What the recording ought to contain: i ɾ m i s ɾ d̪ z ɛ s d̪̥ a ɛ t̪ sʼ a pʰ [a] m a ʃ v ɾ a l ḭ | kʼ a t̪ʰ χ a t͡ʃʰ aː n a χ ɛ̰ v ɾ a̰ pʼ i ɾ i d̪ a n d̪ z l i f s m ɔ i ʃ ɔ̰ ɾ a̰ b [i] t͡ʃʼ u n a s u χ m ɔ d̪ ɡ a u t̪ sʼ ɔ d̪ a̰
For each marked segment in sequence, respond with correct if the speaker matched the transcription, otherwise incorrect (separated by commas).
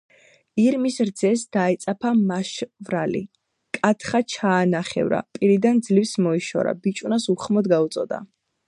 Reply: correct, correct